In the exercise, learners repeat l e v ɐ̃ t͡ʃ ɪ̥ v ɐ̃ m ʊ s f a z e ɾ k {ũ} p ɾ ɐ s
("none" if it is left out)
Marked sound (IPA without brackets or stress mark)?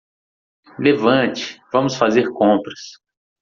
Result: õ